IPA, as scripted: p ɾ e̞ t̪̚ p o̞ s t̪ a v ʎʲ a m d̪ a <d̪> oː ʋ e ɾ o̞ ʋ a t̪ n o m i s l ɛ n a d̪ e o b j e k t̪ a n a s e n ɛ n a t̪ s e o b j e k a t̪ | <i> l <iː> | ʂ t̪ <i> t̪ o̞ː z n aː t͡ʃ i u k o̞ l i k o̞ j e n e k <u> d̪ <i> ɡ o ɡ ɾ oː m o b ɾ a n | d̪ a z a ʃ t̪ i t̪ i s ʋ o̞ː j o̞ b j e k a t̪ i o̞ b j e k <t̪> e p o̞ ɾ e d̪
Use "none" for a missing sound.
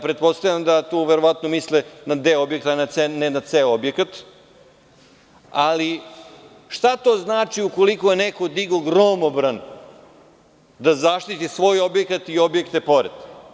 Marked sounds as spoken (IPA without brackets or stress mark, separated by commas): t̪, a, i, a, o, i, t̪